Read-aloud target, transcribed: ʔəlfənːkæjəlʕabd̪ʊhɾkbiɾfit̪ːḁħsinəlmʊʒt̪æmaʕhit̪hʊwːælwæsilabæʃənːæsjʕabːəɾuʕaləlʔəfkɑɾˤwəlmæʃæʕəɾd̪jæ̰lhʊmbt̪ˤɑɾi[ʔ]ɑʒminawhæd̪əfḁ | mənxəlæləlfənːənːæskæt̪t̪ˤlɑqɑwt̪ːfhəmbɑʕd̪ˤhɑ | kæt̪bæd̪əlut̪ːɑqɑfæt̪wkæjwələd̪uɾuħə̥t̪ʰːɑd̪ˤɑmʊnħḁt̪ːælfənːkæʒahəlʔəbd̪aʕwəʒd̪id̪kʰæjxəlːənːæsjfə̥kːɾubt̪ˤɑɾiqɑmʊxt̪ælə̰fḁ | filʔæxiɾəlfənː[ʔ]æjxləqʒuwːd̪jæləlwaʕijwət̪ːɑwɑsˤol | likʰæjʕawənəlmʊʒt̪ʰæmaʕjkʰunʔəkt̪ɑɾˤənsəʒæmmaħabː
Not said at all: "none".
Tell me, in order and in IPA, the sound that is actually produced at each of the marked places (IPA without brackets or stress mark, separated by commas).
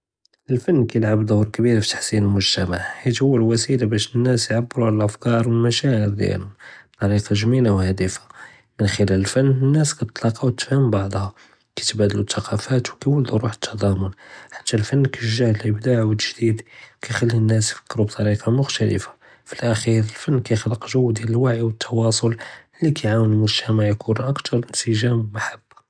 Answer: q, k